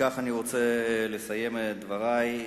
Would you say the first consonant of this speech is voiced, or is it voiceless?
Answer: voiceless